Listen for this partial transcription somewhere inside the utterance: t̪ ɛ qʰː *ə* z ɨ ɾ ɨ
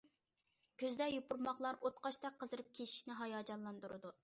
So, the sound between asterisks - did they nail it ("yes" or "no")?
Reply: yes